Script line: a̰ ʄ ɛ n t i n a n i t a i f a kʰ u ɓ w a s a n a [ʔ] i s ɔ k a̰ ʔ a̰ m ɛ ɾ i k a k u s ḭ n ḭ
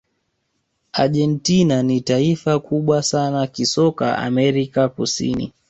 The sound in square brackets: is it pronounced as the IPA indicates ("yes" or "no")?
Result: no